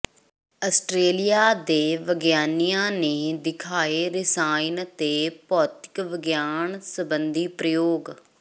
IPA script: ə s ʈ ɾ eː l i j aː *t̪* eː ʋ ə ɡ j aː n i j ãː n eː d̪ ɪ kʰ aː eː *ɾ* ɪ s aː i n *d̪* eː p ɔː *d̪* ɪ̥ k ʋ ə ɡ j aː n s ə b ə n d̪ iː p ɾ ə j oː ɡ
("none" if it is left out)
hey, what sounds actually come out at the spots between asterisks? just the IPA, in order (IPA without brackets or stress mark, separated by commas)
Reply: d̪, ɾ, t̪, t̪